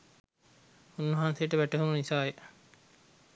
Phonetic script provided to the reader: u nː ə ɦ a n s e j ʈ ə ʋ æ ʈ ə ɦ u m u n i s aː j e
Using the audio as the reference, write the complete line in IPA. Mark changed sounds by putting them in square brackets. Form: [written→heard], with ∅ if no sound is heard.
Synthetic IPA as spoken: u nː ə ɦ a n s e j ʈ ə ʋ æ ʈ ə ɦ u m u n i s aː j e